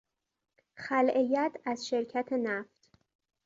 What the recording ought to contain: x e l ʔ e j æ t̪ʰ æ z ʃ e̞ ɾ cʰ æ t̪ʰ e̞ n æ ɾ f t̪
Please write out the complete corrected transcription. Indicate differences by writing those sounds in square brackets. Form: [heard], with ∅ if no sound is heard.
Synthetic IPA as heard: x [æ] l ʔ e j æ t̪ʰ æ z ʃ e̞ ɾ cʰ æ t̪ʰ e̞ n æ [∅] f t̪